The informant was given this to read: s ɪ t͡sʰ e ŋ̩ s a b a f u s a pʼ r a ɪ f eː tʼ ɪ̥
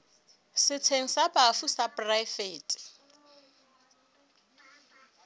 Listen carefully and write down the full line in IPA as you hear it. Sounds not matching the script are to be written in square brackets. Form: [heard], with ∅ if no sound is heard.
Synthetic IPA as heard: s ɪ t͡sʰ e ŋ̩ s a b a f u s a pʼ r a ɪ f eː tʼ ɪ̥